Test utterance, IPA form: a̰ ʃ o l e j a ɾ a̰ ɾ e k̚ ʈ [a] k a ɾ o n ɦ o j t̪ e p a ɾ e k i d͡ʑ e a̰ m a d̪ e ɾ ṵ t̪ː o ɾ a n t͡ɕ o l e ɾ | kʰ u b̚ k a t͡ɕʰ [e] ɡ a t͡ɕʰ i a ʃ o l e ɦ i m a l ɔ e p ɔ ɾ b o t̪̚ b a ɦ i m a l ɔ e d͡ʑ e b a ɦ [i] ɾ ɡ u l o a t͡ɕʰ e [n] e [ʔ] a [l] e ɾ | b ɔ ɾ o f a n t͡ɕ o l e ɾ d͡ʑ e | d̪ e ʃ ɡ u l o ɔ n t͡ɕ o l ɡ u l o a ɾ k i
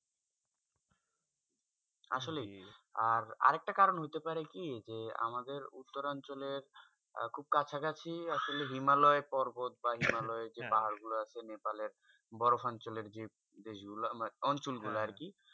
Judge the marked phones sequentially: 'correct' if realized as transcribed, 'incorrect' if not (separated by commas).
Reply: correct, incorrect, incorrect, correct, incorrect, correct